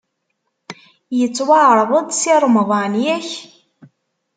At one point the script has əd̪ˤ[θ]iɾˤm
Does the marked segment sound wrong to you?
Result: yes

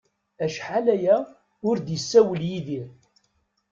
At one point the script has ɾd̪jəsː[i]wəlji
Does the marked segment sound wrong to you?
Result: yes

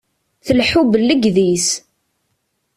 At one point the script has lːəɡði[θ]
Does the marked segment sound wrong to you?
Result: yes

